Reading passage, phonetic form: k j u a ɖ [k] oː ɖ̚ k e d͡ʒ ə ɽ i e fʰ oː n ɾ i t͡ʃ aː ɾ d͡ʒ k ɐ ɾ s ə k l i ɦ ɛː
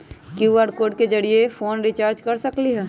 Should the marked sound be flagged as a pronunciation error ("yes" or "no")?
no